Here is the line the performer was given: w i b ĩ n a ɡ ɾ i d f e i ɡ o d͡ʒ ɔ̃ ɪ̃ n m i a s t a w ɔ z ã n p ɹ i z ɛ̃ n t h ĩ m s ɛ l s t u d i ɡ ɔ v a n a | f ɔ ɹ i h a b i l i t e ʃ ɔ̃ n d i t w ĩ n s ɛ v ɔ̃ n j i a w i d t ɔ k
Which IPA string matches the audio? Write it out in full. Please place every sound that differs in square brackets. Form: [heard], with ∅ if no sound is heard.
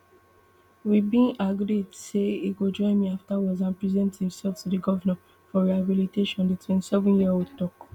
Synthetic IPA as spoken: w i b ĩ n a ɡ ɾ i d [s] e i ɡ o d͡ʒ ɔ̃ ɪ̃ n m i a [f] t a w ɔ z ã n p ɹ i z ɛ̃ n t h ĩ m s ɛ l [f] t u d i ɡ ɔ v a n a | f ɔ ɹ i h a b i l i t e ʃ ɔ̃ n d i t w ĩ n s ɛ v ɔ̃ n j i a w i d t ɔ k